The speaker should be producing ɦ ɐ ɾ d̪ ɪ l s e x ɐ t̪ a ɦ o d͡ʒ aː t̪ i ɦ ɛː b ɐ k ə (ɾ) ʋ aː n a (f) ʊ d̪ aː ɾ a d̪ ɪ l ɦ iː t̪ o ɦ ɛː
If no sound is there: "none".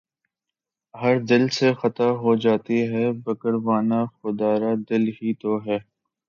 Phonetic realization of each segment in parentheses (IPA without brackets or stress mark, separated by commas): ɾ, x